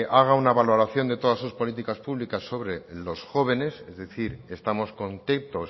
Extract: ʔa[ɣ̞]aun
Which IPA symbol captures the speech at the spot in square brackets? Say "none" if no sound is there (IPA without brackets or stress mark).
ɣ̞